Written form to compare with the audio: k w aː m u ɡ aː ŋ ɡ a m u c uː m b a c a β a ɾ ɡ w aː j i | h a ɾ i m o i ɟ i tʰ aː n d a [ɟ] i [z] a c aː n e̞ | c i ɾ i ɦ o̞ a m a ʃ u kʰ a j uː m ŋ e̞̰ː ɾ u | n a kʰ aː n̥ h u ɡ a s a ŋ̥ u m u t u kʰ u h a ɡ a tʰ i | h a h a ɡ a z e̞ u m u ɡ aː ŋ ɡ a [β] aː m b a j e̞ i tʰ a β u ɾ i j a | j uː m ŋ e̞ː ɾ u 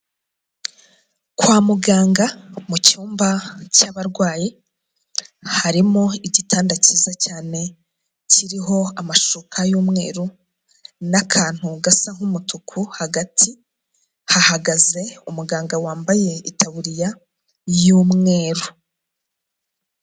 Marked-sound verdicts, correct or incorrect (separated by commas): incorrect, correct, incorrect